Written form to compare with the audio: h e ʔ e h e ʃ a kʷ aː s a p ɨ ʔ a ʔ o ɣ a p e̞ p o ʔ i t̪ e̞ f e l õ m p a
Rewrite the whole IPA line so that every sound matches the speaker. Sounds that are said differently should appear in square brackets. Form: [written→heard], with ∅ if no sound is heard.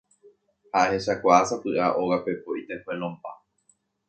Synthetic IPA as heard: h [e→a] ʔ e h e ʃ a kʷ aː s a p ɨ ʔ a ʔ o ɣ a p e̞ p o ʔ i t̪ e̞ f e l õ m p a